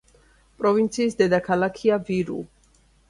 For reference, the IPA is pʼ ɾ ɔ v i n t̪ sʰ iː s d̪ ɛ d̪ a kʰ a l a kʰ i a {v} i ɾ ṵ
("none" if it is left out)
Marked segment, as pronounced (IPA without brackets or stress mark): v